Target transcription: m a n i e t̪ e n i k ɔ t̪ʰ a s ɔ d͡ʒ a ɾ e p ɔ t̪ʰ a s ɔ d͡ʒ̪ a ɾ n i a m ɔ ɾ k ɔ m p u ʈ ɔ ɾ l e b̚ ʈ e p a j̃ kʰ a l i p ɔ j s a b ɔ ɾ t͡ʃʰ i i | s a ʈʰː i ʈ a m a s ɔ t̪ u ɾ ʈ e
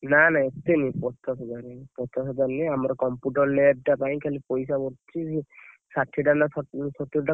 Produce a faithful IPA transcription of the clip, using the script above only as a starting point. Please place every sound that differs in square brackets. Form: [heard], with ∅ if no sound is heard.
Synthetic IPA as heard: [n] a n [a] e t̪ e n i [p] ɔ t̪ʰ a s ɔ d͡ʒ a ɾ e p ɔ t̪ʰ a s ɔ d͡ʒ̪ a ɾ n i a m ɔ ɾ k ɔ m p u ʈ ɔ ɾ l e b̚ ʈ [a] p a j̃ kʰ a l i p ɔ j s a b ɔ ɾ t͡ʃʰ i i | s a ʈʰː i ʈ a [n] a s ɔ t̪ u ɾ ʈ [a]